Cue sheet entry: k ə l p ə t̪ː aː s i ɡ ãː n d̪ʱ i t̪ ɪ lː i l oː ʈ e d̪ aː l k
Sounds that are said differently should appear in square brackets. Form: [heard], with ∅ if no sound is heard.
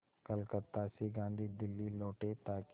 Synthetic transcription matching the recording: k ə l [k] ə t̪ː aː s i ɡ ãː n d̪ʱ i [d̪] ɪ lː i l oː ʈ e [t̪] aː [∅] k